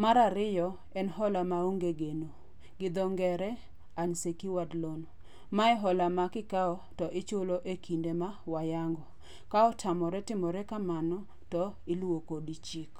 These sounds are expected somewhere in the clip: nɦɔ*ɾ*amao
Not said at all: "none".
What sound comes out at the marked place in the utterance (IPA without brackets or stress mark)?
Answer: l